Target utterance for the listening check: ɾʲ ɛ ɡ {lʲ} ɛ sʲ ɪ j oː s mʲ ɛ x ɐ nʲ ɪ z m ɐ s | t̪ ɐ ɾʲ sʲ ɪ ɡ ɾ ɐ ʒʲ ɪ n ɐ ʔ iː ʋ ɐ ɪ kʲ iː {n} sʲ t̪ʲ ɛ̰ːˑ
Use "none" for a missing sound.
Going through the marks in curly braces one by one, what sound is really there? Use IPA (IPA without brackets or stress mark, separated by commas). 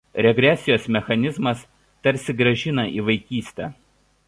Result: ɾʲ, none